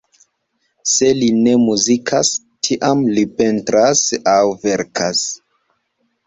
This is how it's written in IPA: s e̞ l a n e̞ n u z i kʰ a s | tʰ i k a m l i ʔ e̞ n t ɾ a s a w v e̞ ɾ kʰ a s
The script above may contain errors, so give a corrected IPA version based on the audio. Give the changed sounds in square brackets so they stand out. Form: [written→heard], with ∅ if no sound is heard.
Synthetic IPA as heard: s e̞ l [a→i] n e̞ [n→m] u z i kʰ a s | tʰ i [k→ʔ] a m l i [ʔ→p] e̞ n t ɾ a s a w v e̞ ɾ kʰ a s